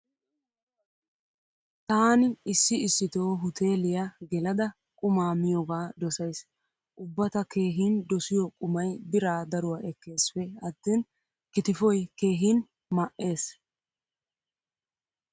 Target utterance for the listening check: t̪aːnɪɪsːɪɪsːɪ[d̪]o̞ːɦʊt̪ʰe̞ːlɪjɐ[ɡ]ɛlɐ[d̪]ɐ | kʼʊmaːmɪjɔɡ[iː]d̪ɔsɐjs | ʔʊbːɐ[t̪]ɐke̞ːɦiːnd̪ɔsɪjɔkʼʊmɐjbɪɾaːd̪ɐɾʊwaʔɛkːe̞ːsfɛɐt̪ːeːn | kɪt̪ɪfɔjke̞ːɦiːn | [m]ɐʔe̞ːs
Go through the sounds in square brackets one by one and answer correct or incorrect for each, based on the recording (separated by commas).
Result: incorrect, correct, correct, incorrect, correct, correct